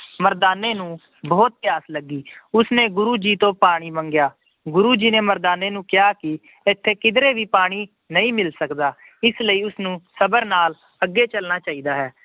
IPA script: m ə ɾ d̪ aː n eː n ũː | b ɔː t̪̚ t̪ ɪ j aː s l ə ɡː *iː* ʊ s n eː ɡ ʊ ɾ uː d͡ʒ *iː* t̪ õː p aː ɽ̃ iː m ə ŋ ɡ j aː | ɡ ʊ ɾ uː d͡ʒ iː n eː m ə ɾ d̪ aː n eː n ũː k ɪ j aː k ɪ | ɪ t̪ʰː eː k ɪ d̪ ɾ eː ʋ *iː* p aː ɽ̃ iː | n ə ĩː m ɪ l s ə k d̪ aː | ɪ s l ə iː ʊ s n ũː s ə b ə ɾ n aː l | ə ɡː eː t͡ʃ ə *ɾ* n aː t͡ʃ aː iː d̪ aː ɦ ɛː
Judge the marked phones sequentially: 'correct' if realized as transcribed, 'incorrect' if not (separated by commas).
correct, correct, correct, incorrect